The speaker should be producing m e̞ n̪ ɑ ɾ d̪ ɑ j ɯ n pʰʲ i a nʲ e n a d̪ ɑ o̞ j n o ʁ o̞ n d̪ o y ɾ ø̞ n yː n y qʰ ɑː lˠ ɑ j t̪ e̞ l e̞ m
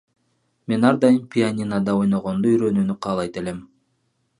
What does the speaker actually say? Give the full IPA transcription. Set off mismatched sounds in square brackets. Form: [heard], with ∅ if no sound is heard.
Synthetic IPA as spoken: m e̞ n̪ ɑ ɾ d̪ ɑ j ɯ n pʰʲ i a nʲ [i] n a d̪ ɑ o̞ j n o ʁ o̞ n d̪ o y ɾ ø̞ n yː n y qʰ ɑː lˠ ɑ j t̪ e̞ l e̞ m